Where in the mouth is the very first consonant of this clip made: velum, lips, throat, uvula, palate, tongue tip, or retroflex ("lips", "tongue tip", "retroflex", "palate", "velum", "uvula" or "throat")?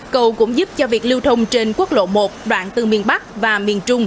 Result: velum